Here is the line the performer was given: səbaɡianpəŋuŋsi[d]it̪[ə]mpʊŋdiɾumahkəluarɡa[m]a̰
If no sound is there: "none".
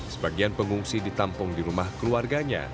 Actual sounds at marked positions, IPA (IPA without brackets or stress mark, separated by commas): d, a, ɲ